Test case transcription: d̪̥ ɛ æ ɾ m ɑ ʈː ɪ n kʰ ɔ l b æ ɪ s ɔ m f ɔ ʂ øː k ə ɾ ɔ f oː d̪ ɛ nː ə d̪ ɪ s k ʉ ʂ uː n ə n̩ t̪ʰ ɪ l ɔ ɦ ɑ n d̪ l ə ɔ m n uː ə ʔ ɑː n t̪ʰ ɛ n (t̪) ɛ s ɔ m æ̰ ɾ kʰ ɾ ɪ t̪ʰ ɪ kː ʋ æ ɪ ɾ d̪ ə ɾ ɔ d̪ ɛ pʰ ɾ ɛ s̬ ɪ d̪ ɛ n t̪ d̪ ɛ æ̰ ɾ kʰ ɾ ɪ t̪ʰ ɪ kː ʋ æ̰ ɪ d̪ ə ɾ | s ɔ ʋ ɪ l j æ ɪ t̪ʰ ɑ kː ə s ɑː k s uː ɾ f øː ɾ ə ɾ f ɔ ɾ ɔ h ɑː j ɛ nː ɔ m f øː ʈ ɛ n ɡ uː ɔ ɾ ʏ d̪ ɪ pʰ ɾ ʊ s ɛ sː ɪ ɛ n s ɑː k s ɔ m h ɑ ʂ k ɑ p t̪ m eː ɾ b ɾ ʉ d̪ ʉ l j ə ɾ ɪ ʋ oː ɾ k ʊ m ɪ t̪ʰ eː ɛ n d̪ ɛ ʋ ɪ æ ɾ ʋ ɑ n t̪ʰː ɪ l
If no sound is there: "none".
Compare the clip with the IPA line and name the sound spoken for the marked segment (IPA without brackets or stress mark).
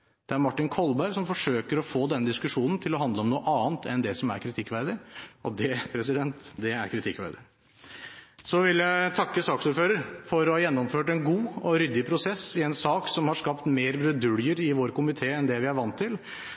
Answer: d̪